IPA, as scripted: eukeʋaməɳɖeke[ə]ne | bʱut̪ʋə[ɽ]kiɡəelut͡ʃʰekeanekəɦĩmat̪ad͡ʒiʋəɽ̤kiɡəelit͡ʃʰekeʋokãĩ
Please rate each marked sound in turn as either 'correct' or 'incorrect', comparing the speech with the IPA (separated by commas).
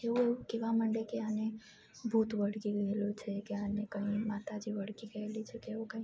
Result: incorrect, correct